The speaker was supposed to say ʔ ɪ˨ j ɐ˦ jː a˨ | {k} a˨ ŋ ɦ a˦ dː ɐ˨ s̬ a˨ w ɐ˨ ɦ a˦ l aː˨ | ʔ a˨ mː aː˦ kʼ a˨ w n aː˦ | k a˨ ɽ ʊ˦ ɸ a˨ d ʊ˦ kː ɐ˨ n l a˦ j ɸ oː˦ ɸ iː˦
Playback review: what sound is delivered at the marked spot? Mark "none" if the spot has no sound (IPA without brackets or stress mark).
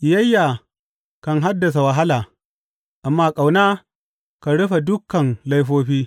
k